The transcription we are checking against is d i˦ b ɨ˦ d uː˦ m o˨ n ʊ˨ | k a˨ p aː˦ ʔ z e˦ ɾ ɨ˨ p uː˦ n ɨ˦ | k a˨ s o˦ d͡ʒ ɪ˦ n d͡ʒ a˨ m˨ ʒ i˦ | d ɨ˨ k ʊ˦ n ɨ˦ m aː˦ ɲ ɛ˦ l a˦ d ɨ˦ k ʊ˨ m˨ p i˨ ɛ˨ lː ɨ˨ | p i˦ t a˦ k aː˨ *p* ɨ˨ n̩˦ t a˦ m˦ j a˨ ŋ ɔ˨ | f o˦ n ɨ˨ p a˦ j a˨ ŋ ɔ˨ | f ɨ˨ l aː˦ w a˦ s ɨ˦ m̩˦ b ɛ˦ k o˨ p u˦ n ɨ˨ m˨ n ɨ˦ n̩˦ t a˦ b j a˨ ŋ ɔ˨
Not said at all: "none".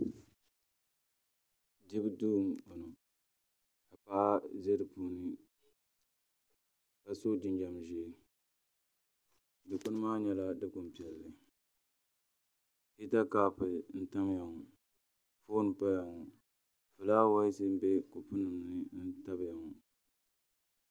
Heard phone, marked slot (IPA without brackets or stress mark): p